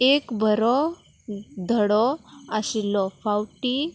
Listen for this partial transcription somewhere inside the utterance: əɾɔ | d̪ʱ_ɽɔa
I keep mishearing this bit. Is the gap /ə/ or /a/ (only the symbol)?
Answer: ə